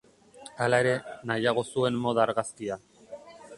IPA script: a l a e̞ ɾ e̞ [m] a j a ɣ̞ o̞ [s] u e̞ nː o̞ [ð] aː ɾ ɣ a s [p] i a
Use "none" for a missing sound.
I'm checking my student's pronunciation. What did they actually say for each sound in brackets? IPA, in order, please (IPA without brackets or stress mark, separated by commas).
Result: n, s, ð, k